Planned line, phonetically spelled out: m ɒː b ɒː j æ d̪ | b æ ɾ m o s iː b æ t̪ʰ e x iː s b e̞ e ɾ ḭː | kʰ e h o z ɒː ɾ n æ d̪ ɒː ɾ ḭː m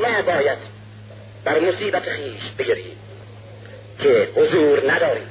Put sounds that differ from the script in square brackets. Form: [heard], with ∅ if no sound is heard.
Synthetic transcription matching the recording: m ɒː b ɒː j æ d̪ | b æ ɾ m o s iː b æ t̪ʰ e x iː [ʃ] b e̞ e ɾ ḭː | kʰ e h o z [uː] ɾ n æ d̪ ɒː ɾ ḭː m